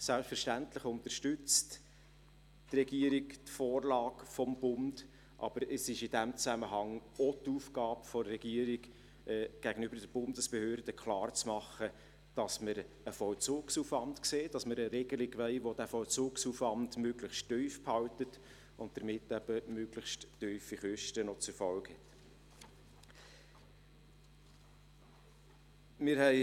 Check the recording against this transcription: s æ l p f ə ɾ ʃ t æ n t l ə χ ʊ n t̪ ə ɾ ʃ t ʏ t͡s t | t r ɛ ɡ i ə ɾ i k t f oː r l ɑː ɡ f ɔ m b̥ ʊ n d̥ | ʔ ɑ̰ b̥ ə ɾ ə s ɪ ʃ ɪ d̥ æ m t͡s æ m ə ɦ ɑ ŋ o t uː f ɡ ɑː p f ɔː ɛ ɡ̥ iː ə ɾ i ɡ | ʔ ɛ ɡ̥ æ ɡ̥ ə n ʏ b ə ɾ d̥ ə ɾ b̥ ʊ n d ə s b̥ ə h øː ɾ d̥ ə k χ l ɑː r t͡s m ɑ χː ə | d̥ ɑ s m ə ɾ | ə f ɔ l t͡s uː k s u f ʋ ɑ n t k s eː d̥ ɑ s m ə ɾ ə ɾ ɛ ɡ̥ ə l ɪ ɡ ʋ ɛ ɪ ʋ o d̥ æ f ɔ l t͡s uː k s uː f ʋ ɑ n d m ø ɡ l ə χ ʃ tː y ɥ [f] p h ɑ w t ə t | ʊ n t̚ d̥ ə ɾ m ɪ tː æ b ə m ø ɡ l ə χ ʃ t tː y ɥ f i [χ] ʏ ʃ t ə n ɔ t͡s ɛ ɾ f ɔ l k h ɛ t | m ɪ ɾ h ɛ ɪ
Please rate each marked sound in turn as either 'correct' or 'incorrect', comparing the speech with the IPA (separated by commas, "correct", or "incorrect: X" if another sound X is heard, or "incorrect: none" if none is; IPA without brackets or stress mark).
correct, correct